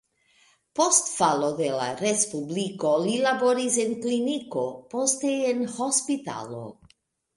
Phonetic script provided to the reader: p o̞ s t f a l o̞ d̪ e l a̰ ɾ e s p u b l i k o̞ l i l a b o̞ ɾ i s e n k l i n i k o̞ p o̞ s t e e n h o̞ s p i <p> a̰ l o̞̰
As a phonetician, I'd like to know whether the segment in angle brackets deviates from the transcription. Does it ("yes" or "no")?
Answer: yes